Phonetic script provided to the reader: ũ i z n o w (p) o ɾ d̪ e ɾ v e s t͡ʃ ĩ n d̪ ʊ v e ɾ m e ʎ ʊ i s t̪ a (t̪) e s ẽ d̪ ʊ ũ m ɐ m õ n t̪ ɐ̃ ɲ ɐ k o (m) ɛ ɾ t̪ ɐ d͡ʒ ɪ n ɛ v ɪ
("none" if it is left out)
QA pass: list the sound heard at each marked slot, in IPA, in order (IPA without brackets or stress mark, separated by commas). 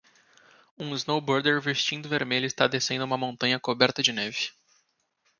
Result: b, d̪, b